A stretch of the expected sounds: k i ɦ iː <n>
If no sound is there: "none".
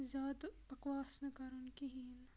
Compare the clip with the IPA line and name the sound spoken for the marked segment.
n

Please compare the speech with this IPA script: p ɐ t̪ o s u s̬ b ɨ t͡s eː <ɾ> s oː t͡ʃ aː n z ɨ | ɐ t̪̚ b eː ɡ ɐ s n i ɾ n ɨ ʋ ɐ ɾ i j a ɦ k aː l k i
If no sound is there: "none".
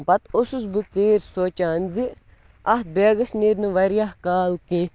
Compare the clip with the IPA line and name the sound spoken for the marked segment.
ɾ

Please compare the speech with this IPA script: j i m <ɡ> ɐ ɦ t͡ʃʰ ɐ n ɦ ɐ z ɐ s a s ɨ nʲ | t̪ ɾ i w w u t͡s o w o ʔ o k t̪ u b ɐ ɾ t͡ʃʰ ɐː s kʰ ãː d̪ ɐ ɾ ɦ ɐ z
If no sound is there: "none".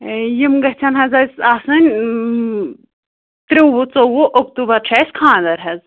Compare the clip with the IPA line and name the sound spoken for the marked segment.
ɡ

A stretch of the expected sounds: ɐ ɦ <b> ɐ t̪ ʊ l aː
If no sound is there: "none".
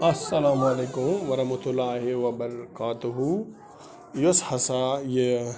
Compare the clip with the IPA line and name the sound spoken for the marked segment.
m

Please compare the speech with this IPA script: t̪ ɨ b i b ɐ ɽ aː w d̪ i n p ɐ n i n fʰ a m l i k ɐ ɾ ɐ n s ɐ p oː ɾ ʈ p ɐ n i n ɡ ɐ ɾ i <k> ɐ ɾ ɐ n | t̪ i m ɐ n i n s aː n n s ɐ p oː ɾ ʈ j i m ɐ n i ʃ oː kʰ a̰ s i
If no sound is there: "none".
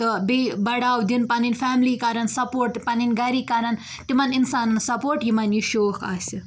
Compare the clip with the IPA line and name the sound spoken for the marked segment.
k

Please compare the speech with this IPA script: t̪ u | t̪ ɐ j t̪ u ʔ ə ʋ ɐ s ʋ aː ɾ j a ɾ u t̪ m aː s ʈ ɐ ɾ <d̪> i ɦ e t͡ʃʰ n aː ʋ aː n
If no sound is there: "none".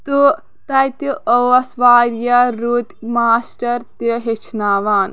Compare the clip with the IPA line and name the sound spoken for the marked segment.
t̪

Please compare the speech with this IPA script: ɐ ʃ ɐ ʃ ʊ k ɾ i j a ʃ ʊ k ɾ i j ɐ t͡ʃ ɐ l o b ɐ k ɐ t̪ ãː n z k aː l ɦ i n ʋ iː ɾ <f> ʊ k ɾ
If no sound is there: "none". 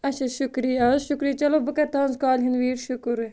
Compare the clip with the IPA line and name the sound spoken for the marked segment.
ʃ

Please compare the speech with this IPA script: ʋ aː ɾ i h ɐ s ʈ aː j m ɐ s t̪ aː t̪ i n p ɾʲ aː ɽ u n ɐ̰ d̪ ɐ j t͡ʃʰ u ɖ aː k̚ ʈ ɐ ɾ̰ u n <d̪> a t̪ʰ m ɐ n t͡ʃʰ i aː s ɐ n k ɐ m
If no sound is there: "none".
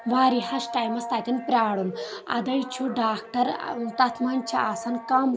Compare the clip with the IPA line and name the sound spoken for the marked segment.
t̪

